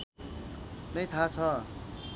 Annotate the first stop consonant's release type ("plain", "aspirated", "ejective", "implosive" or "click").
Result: aspirated